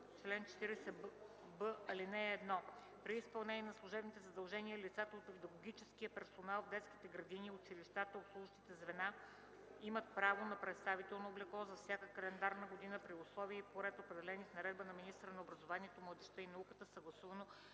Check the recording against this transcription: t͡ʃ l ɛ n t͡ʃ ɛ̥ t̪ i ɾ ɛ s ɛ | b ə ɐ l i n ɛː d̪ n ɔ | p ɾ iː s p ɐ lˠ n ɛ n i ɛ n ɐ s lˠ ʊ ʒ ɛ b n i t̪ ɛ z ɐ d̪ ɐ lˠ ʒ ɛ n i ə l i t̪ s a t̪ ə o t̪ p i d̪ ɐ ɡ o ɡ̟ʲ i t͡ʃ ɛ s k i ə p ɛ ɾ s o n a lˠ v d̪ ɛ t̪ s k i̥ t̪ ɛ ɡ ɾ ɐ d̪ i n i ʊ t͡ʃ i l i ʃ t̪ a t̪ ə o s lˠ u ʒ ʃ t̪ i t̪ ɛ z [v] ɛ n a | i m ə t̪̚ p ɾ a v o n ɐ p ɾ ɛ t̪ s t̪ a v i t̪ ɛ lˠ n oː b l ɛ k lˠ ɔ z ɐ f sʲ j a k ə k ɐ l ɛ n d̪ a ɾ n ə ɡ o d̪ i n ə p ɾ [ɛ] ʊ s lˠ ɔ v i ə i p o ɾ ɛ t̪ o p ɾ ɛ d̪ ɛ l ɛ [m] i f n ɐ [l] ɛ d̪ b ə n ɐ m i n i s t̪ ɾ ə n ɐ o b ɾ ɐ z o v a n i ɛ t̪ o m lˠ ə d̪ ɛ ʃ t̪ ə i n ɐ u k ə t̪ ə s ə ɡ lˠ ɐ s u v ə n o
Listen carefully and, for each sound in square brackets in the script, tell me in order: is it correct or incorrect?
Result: correct, incorrect, incorrect, incorrect

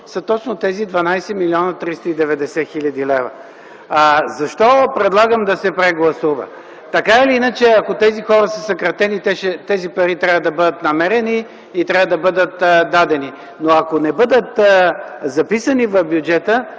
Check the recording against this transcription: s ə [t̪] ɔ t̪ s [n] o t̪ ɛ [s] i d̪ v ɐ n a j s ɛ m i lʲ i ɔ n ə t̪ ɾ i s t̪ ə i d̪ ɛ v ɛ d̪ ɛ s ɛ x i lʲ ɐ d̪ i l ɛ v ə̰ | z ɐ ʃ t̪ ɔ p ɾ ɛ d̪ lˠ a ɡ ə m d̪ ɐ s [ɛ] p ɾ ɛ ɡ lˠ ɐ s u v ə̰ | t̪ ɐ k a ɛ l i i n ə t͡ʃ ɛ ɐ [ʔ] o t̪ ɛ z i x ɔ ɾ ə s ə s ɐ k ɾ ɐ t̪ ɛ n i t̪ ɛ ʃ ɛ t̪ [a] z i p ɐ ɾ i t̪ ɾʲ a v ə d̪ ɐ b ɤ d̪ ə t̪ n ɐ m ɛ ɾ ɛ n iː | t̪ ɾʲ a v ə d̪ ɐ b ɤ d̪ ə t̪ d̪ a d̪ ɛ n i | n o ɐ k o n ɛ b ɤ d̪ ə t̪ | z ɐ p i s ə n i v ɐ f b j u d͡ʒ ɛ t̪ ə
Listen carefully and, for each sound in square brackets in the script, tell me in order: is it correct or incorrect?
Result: correct, correct, incorrect, correct, incorrect, incorrect

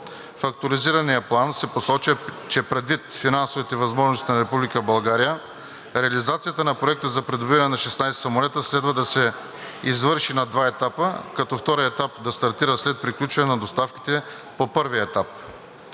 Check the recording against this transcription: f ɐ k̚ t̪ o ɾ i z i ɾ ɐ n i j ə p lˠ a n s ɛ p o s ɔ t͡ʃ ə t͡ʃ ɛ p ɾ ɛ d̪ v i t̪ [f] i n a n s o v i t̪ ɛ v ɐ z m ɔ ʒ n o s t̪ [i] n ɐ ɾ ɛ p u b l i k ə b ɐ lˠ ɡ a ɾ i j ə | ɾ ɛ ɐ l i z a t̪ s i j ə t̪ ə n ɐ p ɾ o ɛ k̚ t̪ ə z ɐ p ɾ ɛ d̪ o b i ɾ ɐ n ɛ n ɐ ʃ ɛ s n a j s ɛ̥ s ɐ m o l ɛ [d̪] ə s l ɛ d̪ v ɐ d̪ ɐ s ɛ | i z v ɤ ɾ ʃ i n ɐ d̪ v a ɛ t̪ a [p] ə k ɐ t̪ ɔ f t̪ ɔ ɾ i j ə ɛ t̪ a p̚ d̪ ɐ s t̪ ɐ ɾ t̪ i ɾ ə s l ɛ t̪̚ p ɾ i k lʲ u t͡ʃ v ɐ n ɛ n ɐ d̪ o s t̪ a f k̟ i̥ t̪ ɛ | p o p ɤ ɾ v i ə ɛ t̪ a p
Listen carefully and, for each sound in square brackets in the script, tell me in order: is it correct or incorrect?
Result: correct, correct, incorrect, correct

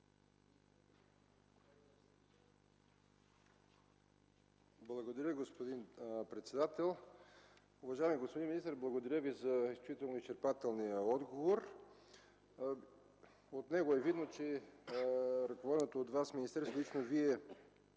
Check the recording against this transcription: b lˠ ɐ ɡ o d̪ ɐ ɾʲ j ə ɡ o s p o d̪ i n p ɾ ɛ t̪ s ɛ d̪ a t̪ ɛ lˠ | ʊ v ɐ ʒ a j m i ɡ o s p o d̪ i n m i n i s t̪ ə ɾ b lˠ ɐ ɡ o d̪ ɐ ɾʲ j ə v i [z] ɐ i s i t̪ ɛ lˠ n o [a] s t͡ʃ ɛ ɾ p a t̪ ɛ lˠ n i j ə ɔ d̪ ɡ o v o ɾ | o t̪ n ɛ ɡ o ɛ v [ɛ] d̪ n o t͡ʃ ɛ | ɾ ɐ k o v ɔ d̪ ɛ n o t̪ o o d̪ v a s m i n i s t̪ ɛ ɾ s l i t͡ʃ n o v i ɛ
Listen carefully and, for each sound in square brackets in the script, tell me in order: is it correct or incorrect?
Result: correct, incorrect, incorrect

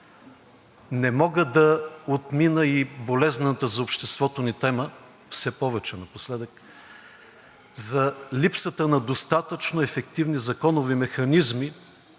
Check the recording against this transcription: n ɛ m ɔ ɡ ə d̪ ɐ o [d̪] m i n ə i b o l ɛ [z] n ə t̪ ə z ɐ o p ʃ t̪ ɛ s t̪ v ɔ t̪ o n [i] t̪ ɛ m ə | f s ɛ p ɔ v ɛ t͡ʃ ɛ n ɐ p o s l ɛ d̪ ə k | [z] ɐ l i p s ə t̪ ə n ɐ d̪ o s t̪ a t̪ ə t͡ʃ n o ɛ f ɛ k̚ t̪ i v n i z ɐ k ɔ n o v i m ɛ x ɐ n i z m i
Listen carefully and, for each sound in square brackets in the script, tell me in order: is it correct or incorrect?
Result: incorrect, correct, correct, correct

